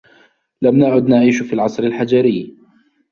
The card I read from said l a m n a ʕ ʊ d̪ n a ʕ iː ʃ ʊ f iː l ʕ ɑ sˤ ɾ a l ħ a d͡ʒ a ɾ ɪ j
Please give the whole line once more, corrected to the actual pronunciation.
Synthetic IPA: l a m n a ʕ ʊ d̪ n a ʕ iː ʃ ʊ f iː l ʕ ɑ sˤ ɾ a l ħ a d͡ʒ a ɾ ɪ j